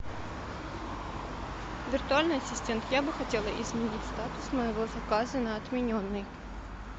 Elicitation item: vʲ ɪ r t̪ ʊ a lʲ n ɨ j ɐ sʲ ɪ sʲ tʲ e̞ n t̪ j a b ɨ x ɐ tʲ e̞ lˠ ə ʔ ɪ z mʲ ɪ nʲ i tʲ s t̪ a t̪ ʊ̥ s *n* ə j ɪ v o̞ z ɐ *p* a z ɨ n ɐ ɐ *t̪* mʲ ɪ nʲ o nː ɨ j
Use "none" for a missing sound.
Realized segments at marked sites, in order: m, k, t̪

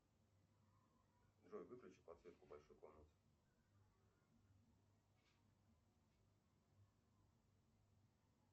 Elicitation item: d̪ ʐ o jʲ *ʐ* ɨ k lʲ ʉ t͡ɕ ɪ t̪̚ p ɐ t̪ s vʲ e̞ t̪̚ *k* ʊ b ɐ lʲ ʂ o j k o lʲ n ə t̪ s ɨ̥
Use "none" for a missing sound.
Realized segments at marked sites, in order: v, k

